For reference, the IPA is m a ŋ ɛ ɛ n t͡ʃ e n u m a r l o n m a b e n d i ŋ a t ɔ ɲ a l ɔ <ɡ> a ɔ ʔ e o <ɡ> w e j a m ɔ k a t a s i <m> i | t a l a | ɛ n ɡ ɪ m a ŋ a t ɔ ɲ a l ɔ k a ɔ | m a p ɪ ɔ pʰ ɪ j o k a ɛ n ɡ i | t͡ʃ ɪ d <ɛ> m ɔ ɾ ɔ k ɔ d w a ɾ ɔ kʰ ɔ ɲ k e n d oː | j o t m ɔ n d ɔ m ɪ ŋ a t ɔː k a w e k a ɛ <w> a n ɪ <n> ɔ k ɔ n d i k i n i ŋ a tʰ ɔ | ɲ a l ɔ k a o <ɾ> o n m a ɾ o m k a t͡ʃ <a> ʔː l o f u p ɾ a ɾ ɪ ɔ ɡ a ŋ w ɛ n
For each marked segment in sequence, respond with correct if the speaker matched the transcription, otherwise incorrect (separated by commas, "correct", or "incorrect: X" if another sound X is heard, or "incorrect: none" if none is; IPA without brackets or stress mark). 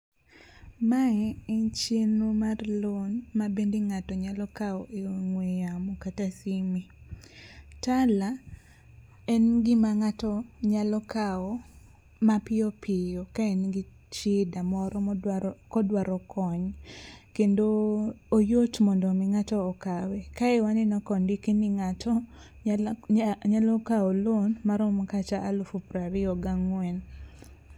incorrect: k, incorrect: ŋ, correct, incorrect: a, correct, correct, incorrect: l, correct